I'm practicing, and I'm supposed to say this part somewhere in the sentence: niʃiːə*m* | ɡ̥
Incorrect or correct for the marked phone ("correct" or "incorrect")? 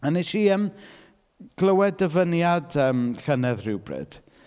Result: correct